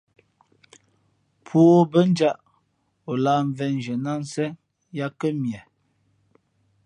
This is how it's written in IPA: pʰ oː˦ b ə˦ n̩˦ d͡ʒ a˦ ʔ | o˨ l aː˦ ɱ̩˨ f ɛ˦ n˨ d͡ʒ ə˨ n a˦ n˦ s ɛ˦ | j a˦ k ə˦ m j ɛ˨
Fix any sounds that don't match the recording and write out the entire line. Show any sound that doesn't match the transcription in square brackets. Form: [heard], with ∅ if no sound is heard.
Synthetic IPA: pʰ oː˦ b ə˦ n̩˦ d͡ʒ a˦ ʔ | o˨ l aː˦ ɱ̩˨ [v] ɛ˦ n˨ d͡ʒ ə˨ n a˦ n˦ s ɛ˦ | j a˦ k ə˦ m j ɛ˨